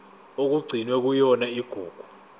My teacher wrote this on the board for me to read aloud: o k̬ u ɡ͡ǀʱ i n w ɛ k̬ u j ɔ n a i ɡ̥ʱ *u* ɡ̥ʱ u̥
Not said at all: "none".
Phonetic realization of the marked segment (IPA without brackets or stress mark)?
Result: uː